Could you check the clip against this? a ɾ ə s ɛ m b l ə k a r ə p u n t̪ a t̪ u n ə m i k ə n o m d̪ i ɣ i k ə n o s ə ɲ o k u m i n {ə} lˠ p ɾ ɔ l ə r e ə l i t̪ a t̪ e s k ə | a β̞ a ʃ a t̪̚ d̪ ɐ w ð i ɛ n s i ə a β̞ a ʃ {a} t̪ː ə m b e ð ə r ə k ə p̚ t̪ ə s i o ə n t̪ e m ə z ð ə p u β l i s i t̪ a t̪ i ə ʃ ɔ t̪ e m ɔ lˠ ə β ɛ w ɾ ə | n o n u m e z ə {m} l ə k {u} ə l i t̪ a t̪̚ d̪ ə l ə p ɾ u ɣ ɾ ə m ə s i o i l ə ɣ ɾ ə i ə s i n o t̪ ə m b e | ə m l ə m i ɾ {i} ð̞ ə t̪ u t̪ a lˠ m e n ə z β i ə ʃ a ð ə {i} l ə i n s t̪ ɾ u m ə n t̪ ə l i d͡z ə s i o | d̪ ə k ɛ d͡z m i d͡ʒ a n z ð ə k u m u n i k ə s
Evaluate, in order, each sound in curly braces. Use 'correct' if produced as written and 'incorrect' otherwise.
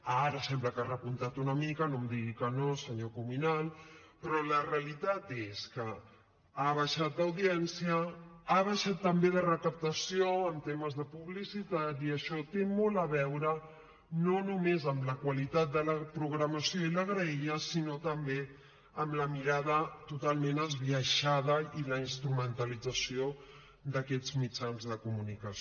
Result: incorrect, correct, correct, incorrect, incorrect, correct

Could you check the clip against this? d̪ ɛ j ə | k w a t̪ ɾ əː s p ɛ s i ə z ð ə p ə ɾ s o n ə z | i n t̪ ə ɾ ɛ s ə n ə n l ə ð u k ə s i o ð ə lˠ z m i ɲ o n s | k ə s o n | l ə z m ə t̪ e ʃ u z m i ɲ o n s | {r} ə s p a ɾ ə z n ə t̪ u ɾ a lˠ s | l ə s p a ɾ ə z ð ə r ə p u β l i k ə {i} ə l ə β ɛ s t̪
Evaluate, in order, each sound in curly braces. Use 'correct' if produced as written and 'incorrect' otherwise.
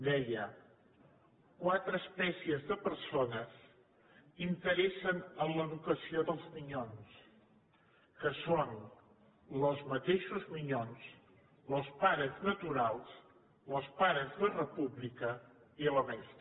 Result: incorrect, correct

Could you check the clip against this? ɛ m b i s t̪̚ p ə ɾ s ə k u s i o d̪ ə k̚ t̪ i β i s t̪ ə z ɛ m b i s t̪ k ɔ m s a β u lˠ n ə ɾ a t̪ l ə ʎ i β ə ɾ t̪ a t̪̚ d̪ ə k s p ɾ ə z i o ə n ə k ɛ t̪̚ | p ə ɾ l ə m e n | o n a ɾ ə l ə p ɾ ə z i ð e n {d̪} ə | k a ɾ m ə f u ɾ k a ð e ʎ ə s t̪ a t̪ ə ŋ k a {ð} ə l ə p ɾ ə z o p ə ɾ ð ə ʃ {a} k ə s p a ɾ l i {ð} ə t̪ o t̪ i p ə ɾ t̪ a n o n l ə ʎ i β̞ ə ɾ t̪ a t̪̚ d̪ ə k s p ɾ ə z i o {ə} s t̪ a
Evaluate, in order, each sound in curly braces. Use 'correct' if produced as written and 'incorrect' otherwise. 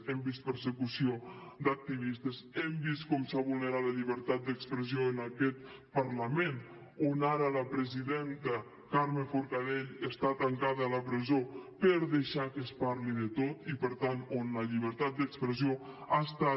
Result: incorrect, correct, correct, correct, incorrect

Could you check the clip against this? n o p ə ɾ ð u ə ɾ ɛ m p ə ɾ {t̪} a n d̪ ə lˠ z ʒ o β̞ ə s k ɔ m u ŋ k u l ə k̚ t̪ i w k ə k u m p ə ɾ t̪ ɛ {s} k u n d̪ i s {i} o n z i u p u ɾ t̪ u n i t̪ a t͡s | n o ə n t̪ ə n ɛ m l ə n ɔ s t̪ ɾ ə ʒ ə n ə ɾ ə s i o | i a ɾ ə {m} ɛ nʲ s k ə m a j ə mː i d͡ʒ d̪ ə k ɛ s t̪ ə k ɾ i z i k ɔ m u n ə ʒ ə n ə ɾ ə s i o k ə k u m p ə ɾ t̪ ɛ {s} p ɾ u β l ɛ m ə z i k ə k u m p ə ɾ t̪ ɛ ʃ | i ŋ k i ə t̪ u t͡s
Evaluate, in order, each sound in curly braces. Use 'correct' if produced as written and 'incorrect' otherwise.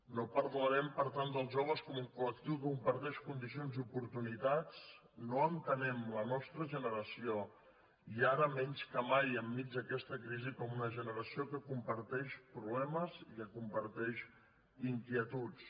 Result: correct, incorrect, correct, correct, incorrect

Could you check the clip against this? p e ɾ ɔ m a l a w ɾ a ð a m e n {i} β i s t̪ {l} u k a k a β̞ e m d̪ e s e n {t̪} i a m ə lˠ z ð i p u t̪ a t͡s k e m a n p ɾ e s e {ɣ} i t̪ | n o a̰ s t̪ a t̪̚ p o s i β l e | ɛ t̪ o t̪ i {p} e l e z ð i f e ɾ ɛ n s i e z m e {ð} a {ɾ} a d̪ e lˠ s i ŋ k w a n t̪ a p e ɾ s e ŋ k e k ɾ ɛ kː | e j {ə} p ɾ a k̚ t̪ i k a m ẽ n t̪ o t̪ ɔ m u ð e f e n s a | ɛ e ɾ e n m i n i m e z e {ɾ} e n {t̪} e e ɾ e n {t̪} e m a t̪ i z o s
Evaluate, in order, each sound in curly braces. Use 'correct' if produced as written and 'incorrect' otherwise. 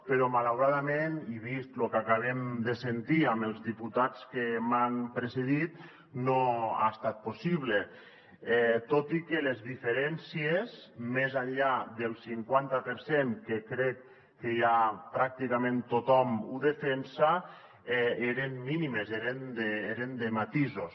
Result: correct, correct, correct, incorrect, incorrect, incorrect, incorrect, incorrect, correct, incorrect, incorrect

